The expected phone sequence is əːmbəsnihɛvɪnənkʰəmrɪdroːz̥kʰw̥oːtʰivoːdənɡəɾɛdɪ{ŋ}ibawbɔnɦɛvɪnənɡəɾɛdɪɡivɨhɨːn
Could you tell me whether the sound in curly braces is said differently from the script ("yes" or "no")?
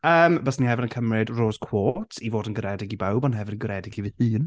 yes